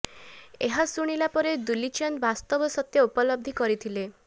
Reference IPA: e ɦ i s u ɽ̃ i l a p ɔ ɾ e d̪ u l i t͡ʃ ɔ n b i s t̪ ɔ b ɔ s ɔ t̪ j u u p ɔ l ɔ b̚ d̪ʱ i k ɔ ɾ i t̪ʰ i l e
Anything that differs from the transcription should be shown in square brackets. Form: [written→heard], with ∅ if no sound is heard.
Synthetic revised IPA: e ɦ [i→a] s u ɽ̃ i l a p ɔ ɾ e d̪ u l i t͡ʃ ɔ n b [i→a] s t̪ ɔ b ɔ s ɔ t̪ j [u→ɔ] u p ɔ l ɔ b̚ d̪ʱ i k ɔ ɾ i t̪ʰ i l e